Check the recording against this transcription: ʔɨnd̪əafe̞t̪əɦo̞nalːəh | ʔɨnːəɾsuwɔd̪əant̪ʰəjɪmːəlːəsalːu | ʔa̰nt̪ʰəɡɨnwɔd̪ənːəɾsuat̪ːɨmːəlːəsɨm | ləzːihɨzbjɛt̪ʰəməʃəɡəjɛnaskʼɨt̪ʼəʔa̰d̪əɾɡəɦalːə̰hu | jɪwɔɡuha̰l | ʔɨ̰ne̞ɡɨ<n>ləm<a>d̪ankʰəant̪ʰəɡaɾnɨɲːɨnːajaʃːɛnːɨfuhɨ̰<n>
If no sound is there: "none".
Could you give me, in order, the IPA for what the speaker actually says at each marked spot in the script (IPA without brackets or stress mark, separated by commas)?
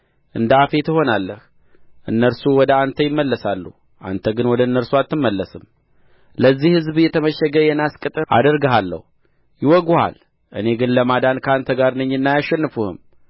n, a, m